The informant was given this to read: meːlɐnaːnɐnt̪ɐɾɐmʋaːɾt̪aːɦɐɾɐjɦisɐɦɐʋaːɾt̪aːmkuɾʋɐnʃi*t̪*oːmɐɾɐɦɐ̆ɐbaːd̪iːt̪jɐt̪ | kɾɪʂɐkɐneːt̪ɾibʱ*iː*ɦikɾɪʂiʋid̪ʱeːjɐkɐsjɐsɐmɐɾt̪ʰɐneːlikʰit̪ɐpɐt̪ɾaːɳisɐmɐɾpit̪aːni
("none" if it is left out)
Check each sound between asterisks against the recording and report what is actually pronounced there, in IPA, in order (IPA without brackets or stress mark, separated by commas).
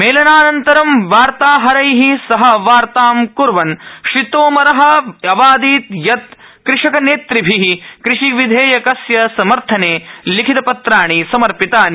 t̪, i